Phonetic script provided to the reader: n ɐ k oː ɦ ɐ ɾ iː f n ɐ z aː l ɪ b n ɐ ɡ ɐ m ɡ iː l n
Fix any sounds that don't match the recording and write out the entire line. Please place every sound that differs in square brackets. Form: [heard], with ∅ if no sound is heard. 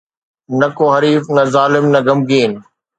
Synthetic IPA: n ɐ k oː ɦ ɐ ɾ iː f n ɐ z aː l ɪ [m] n ɐ ɡ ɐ m ɡ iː [∅] n